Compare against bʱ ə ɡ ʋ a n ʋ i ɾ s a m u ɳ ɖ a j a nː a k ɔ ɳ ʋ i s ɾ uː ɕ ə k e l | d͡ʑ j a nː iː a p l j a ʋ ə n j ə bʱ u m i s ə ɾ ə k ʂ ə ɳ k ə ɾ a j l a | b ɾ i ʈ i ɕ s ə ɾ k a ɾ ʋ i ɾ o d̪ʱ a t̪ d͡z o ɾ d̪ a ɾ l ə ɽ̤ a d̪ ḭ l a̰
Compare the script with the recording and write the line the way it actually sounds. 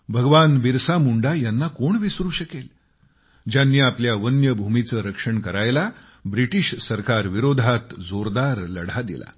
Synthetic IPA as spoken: bʱ ə ɡ ʋ a n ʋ i ɾ s a m u ɳ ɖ a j a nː a k o ɳ ʋ i s ɾ uː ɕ ə k e l | d͡ʑ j a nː iː a p l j a ʋ ə n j ə bʱ u m i t͡s ə ɾ ə k ʂ ə ɳ k ə ɾ a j l a | b ɾ i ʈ i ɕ s ə ɾ k a ɾ ʋ i ɾ o d̪ʱ a t̪ d͡z o ɾ d̪ a ɾ l ə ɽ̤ a d̪ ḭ l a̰